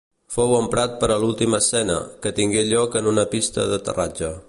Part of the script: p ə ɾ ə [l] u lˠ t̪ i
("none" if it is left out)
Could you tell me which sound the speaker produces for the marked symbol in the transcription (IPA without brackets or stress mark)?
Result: l